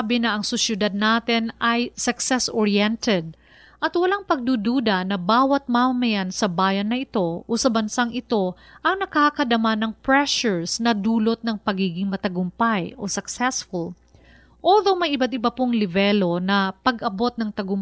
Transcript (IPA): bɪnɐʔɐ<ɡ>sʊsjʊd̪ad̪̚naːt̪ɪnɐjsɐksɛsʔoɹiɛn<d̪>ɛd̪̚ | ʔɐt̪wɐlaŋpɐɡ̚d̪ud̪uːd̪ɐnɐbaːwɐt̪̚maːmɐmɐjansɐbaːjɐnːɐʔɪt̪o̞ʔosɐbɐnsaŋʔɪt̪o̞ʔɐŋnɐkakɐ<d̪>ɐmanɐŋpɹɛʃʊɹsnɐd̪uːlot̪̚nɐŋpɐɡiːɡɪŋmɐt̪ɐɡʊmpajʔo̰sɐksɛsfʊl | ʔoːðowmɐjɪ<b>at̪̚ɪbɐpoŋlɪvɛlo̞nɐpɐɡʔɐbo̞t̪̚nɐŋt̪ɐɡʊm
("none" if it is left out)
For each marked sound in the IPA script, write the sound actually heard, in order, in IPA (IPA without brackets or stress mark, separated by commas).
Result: ŋ, t̪, d̪, b